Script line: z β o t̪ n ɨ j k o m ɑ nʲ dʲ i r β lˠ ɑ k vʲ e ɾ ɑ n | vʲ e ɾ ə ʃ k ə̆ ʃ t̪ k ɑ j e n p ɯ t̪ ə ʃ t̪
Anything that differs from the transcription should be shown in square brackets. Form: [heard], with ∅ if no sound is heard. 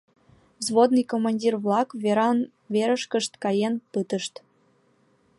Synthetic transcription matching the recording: z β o [d̪] n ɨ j k o m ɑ nʲ dʲ i r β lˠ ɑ k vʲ e ɾ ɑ n | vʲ e ɾ ə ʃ k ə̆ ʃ t̪ k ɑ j e n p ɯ t̪ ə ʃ t̪